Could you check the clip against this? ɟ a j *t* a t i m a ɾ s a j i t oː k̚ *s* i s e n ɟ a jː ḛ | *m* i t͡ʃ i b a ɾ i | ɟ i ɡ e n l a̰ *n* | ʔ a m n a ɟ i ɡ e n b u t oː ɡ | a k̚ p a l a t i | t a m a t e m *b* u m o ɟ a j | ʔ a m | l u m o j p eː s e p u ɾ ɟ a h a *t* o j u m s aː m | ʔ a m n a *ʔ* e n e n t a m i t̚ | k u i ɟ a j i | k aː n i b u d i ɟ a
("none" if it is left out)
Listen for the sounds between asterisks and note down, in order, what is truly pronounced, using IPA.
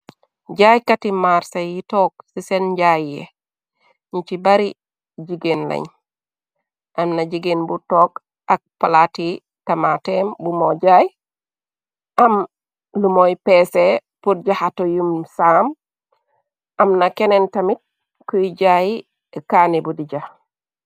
k, s, ɲ, ɲ, b, t, k

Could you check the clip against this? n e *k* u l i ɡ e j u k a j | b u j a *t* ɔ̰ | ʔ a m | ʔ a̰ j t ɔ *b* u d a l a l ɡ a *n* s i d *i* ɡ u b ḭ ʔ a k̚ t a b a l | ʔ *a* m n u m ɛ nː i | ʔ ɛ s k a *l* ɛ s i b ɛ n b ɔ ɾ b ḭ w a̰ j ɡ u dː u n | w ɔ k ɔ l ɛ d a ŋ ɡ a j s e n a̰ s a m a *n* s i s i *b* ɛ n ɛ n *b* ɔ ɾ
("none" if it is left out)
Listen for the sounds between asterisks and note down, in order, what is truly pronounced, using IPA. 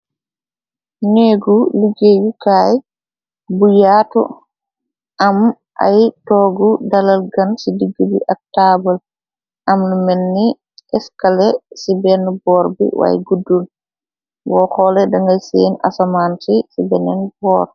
ɡ, t, ɡ, n, i, a, l, n, b, b

